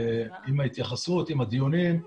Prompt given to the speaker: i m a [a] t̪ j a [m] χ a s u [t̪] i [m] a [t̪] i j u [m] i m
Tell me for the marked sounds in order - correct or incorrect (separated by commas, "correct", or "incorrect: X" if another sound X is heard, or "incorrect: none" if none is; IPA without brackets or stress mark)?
incorrect: i, incorrect: none, correct, correct, incorrect: d̪, incorrect: n